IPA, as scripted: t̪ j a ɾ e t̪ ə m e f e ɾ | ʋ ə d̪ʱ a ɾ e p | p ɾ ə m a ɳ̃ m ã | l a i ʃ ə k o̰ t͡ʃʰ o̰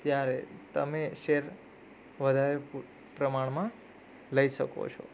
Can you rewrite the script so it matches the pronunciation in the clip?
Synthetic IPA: t̪ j a ɾ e t̪ ə m e ʃ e ɾ | ʋ ə d̪ʱ a ɾ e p | p ɾ ə m a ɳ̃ m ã | l ə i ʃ ə k o̰ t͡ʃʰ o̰